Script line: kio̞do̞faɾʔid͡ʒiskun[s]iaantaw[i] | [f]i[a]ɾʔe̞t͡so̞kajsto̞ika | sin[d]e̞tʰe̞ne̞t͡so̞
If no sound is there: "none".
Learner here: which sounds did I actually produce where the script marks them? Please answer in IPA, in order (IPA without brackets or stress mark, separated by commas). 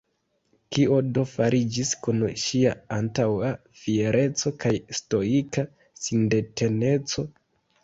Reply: ʃ, a, f, e, d